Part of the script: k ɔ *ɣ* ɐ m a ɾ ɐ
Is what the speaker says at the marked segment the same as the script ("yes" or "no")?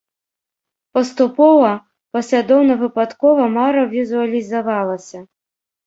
no